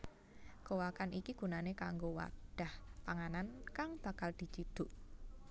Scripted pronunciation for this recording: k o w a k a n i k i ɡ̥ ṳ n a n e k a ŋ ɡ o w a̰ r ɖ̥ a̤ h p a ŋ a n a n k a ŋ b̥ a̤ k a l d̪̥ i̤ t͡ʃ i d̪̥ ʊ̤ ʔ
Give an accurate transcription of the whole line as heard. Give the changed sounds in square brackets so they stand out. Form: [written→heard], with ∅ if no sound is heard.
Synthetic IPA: k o w a k a n i k i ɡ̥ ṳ n a n e k a ŋ ɡ o w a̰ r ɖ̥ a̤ h p a ŋ a n a n k a ŋ b̥ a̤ k a l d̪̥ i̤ t͡ʃ i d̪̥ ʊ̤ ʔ